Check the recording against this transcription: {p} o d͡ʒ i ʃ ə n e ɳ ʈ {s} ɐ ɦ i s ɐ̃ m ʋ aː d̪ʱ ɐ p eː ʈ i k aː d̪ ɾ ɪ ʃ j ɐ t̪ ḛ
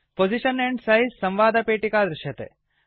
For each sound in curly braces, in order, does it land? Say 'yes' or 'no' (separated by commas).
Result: yes, yes